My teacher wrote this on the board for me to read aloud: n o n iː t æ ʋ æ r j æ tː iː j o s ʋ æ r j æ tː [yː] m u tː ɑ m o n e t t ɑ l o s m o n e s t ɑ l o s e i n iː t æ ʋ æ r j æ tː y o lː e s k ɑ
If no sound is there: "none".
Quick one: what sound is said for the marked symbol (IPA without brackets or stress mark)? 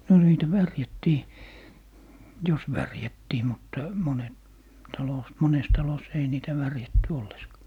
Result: iː